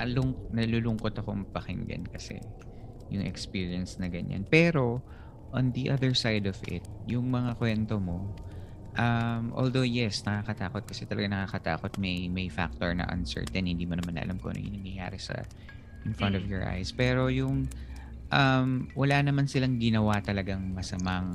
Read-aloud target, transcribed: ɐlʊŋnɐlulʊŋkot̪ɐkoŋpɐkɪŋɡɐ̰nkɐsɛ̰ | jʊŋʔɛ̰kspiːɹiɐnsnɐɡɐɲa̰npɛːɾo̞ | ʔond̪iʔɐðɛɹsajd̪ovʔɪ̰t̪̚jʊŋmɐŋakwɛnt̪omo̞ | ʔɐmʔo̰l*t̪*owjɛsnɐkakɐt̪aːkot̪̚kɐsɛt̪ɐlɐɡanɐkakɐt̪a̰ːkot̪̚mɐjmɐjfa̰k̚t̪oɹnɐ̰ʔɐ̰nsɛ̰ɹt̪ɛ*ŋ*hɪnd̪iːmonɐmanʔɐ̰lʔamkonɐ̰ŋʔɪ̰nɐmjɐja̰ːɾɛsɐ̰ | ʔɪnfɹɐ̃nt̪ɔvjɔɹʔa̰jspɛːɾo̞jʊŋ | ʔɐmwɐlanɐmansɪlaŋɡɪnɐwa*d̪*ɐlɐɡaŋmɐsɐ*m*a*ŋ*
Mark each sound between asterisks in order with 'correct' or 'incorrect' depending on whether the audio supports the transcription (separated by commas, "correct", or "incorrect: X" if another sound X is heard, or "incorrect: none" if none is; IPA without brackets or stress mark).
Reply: incorrect: d̪, incorrect: n, incorrect: t̪, correct, correct